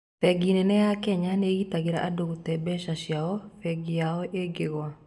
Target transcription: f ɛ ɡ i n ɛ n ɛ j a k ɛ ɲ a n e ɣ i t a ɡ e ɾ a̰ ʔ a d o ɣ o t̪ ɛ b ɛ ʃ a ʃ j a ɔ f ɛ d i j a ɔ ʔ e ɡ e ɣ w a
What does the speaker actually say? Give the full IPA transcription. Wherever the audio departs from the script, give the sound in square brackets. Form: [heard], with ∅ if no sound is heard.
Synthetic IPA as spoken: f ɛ ɡ i n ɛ n ɛ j a k ɛ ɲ a n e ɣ i t a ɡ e ɾ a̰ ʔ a d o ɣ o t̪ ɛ b ɛ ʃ a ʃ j a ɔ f ɛ [ɡ] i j a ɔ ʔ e ɡ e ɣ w a